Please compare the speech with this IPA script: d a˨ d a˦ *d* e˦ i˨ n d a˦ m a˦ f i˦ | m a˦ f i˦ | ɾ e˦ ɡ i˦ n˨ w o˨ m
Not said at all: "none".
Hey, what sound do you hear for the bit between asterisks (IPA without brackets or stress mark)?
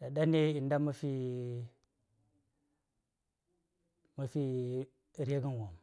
n